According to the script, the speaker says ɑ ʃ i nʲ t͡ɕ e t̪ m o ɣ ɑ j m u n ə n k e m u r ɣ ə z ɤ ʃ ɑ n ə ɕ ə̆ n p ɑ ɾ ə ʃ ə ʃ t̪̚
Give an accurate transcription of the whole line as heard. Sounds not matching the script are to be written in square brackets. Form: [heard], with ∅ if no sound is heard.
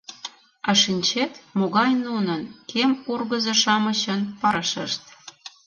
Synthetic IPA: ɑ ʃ i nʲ t͡ɕ e t̪ m o ɣ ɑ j [n] u n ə n k e m u r ɣ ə z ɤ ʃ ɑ [m] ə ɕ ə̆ n p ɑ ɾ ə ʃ ə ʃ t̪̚